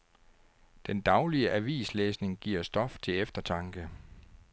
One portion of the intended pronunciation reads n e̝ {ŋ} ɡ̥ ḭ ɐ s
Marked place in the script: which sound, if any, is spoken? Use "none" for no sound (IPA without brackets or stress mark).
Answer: ŋ